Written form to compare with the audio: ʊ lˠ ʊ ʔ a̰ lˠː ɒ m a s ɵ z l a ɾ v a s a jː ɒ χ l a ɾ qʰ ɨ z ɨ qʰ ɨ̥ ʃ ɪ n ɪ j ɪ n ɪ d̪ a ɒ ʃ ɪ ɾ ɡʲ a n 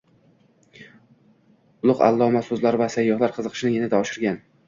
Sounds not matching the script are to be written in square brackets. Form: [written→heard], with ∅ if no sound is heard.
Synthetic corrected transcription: ʊ lˠ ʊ [ʔ→q] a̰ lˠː ɒ m a s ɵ z l a ɾ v a s a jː ɒ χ l a ɾ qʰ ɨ z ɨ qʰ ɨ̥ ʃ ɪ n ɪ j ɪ n ɪ d̪ a ɒ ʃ ɪ ɾ ɡʲ a n